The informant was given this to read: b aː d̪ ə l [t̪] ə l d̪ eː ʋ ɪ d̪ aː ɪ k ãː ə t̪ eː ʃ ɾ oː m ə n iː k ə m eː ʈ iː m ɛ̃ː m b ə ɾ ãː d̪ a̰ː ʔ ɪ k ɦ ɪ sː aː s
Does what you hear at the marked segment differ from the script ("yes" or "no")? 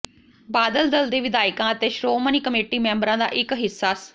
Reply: yes